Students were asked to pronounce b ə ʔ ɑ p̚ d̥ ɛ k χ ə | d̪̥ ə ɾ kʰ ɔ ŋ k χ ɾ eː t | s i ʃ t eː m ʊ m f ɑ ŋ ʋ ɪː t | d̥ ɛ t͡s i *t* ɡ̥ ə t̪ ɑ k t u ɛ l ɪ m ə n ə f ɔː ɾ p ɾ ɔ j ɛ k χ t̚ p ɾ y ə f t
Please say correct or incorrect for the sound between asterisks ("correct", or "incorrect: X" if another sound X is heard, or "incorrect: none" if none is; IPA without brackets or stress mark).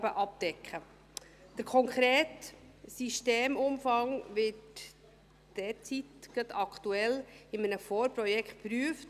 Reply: correct